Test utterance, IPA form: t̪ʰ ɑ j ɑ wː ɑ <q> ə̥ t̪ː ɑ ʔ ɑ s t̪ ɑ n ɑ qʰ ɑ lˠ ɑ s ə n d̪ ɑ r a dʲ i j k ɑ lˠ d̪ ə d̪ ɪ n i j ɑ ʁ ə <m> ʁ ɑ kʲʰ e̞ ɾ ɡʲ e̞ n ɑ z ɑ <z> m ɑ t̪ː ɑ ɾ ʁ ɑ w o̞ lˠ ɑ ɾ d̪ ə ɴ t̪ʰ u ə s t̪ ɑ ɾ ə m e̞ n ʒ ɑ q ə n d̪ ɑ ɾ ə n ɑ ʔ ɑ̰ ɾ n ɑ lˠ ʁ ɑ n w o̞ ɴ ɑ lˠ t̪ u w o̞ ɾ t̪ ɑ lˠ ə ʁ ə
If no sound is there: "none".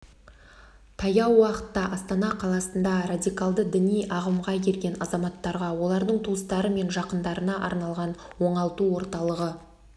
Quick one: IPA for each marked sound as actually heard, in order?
q, m, none

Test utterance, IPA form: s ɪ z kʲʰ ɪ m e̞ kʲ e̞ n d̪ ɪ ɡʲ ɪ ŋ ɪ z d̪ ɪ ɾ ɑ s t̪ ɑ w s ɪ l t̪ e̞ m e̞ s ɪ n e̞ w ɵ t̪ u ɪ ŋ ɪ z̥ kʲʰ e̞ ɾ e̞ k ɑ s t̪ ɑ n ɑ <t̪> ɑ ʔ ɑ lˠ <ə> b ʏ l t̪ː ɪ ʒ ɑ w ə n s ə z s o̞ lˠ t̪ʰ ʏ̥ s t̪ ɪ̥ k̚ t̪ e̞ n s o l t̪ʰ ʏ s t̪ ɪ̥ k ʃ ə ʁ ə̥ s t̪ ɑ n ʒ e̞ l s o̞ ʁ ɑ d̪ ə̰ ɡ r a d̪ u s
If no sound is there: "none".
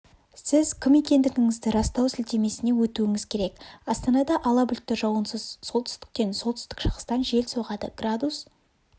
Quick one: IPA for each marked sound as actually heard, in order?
d̪, ɑ

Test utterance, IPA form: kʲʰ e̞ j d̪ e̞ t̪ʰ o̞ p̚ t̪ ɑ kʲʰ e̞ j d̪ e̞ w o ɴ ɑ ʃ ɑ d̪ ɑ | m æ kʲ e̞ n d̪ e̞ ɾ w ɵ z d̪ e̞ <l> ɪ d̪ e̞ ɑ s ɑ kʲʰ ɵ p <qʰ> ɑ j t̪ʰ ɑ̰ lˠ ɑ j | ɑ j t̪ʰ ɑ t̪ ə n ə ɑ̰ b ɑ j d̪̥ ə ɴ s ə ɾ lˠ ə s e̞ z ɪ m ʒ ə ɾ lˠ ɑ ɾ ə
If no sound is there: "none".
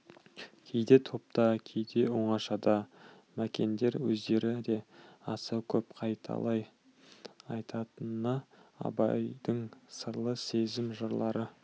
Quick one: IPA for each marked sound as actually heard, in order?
ɾ, qʰ

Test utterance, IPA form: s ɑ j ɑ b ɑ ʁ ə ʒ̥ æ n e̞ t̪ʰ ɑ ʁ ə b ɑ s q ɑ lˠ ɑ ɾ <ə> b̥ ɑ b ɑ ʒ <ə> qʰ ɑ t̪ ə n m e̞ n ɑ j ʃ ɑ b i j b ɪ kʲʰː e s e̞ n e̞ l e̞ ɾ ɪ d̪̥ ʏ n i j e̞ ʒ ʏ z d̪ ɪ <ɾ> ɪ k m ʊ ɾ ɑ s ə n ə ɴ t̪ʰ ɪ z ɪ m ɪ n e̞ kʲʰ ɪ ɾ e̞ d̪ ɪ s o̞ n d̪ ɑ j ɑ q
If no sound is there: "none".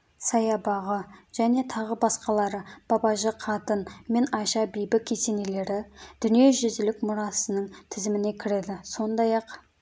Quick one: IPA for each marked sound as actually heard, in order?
ə, ə, l

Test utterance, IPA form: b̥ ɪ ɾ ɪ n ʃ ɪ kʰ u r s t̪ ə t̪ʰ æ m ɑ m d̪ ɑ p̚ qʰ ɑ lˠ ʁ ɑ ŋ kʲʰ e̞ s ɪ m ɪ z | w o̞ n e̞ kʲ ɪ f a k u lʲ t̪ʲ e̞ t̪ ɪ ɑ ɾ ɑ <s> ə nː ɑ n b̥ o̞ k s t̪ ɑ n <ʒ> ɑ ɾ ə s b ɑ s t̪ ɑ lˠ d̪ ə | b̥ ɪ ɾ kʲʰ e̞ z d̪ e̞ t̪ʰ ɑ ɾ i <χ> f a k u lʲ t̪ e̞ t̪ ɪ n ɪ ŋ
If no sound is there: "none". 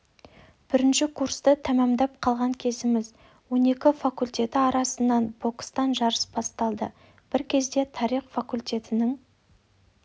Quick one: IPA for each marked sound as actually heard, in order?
s, ʒ, χ

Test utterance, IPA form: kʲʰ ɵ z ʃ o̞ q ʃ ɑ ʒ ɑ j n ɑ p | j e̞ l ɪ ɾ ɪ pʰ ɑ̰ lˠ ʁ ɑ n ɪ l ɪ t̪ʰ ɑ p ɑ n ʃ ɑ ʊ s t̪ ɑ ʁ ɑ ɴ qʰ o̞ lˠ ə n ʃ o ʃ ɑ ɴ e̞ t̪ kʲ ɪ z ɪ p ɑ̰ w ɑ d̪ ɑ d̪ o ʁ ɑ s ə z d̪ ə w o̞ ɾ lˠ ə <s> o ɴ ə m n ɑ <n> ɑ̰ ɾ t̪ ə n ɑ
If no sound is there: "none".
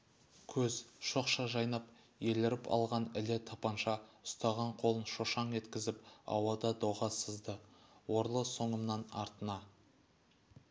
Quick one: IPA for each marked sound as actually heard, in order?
s, n

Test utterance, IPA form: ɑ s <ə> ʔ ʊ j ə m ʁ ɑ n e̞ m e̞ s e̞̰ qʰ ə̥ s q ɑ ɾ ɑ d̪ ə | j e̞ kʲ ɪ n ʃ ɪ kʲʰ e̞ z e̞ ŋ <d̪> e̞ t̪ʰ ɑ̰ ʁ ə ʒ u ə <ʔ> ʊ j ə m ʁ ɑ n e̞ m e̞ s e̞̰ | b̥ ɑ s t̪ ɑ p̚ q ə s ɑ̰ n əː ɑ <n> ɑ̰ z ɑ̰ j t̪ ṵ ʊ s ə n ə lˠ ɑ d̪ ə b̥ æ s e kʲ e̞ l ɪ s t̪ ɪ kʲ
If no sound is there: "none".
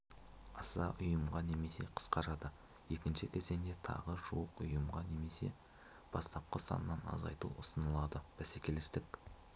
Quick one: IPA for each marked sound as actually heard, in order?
ɑ, d̪, q, n

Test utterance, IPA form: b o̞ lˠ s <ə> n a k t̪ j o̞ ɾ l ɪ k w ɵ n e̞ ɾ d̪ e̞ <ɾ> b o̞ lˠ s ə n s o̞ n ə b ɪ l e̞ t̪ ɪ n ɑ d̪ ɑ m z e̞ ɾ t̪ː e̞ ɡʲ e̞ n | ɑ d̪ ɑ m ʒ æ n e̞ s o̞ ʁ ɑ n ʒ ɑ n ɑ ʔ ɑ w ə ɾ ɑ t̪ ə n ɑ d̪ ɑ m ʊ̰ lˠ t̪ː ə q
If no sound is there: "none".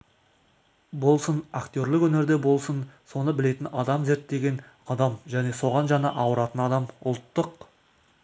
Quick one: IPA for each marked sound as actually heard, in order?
ə, none

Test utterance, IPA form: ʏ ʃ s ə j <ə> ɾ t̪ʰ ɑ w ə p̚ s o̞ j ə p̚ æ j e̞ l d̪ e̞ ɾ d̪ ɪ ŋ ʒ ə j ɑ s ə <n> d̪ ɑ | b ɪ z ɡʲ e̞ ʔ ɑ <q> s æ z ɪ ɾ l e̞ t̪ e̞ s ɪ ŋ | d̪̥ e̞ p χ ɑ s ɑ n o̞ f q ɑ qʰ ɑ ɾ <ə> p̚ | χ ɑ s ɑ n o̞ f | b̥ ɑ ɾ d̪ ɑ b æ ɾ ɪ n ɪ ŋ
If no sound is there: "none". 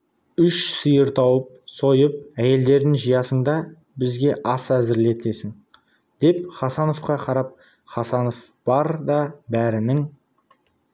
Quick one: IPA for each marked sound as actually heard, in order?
ə, ɴ, none, ɑ

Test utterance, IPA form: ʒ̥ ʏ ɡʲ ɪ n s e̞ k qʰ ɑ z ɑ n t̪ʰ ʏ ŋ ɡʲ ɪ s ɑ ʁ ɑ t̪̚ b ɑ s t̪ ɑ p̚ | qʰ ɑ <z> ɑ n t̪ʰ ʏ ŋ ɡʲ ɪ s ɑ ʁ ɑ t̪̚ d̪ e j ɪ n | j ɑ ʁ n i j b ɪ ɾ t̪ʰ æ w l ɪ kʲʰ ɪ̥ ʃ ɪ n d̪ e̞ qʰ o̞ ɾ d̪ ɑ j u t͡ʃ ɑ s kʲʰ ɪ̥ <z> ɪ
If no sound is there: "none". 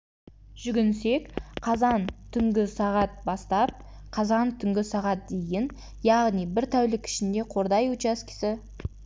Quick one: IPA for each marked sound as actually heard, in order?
z, s

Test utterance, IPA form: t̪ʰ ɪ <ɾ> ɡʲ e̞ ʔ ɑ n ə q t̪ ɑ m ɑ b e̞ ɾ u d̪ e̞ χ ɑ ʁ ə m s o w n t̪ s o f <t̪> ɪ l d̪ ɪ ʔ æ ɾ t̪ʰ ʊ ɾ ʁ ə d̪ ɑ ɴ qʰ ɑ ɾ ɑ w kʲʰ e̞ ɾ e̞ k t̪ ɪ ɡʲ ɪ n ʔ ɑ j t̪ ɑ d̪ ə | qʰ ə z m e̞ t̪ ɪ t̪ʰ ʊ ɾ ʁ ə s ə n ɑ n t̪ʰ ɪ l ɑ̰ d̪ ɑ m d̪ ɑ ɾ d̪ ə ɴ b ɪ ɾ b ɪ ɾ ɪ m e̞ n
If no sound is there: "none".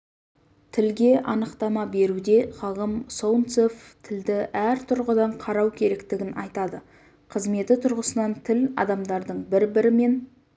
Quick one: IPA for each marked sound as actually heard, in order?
l, t̪ʰ

